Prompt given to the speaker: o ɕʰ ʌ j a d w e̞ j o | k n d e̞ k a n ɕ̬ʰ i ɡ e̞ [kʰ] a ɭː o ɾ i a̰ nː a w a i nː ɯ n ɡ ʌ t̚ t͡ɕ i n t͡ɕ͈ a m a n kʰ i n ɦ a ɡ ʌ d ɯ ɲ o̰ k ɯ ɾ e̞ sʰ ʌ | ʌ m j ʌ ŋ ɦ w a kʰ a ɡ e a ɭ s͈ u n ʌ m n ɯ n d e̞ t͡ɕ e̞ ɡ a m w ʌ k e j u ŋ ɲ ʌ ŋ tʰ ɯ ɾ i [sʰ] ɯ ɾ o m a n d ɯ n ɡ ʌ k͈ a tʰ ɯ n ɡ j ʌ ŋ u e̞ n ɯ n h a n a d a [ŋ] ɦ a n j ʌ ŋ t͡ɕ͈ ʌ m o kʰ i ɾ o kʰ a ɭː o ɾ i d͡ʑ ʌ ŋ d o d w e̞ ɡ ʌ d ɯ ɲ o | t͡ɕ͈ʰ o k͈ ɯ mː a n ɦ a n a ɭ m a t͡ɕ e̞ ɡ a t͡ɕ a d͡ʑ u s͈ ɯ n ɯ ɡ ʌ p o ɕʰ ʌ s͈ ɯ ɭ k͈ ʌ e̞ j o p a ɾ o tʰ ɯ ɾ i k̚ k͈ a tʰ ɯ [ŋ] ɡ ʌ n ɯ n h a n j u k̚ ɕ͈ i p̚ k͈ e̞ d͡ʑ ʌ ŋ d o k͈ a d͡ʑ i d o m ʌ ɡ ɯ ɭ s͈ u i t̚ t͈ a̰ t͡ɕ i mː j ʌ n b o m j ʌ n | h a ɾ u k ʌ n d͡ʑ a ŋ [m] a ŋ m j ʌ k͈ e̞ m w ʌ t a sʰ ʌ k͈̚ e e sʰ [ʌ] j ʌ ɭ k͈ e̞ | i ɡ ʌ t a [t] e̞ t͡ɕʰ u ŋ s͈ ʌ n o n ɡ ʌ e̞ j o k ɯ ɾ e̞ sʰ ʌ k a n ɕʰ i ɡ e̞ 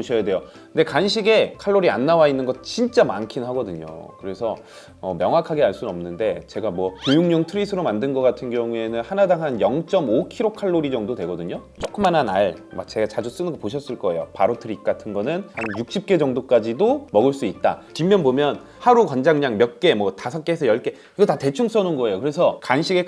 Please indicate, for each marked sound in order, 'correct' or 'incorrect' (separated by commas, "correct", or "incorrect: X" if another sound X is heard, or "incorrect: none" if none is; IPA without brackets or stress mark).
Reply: correct, correct, correct, incorrect: n, incorrect: ɲ, correct, correct